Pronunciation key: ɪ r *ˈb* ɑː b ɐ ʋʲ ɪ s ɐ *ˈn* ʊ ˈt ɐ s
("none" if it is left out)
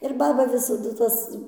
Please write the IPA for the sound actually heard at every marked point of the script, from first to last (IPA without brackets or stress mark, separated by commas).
b, d